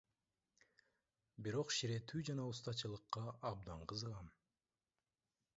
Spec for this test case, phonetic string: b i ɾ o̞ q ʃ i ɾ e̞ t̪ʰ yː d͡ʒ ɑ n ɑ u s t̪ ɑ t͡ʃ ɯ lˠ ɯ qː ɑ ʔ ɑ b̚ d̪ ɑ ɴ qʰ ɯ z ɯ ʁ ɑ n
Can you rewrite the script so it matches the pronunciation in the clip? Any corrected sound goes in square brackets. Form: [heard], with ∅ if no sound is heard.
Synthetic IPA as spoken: b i ɾ o̞ q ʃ i ɾ e̞ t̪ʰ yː d͡ʒ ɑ n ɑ u s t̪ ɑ t͡ʃ ɯ lˠ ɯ qː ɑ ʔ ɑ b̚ d̪ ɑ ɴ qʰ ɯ z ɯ ʁ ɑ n